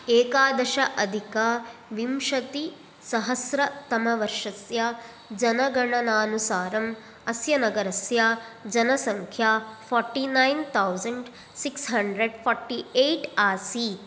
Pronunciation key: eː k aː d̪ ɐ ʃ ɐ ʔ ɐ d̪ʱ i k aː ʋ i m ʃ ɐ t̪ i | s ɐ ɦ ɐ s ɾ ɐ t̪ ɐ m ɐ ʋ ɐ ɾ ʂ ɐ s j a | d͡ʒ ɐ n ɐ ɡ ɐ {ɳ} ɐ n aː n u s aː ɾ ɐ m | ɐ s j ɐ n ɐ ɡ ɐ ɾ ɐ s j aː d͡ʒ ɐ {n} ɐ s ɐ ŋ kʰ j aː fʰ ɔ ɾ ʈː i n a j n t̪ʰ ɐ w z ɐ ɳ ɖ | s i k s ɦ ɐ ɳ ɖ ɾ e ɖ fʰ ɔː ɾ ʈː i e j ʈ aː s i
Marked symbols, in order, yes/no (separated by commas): yes, yes